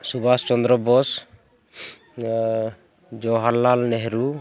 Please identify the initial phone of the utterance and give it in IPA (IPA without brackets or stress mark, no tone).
s